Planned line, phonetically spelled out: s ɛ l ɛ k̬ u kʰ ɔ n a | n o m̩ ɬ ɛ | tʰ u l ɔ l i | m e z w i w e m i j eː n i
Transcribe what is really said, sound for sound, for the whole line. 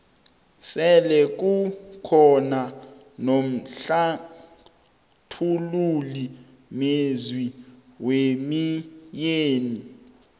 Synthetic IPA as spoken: s ɛ l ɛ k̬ u kʰ ɔ n a | n o m̩ ɬ a | tʰ u l u l i | m e z w i w e m i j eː n i